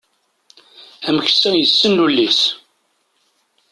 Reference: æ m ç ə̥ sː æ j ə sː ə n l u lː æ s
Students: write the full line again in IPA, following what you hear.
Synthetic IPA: æ m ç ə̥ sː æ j ə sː ə n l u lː i s